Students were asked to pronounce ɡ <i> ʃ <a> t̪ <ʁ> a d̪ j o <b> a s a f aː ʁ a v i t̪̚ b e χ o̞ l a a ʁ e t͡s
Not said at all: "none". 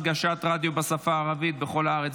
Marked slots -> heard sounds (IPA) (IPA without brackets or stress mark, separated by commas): a, a, ʁ, b